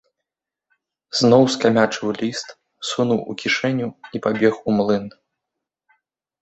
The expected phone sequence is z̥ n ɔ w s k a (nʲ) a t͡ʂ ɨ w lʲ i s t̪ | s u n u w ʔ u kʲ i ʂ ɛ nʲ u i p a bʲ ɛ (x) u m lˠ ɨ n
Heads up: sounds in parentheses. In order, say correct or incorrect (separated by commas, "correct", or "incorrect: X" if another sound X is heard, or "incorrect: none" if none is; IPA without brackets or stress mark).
incorrect: mʲ, correct